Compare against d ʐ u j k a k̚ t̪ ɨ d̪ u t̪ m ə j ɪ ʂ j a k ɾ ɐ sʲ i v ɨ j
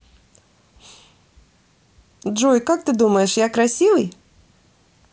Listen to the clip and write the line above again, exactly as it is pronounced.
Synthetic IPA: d ʐ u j k a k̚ t̪ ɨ d̪ u m ə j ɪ ʂ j a k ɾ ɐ sʲ i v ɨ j